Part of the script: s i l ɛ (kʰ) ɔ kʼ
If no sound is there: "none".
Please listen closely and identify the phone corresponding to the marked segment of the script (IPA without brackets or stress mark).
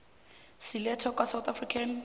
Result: tʰ